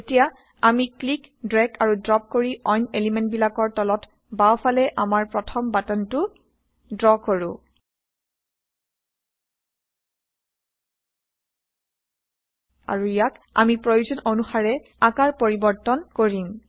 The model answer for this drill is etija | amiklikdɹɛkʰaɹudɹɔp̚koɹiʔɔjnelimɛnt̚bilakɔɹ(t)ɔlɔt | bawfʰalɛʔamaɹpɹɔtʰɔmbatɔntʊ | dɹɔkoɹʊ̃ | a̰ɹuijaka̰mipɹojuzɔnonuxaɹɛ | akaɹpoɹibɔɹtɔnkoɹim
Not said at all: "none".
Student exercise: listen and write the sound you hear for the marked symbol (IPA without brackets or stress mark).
t